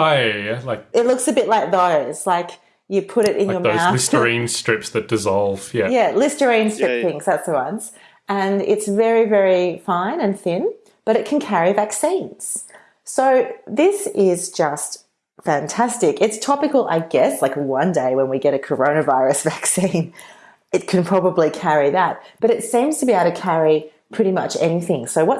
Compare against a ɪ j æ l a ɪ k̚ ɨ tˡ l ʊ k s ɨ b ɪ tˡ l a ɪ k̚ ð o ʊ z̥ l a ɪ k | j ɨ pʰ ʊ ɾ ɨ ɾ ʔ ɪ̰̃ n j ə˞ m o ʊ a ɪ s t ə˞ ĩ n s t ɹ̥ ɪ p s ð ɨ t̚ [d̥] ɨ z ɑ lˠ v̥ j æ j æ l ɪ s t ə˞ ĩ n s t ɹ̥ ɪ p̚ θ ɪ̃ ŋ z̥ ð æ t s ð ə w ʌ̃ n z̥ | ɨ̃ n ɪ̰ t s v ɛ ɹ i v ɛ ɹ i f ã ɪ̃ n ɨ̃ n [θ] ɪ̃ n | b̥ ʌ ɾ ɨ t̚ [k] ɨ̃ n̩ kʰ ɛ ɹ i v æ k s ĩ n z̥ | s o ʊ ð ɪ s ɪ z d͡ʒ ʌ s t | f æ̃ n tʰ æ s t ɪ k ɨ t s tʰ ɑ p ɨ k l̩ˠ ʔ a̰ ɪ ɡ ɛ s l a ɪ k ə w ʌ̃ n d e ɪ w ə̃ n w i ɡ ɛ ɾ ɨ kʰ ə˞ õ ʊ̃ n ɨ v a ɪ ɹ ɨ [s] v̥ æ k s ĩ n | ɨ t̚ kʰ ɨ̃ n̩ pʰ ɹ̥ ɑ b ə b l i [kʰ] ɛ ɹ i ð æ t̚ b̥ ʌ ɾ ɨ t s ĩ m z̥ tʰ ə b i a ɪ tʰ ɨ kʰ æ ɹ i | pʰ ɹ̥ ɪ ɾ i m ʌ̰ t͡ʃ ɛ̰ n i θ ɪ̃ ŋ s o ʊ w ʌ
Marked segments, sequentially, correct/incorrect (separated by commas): correct, correct, incorrect, correct, correct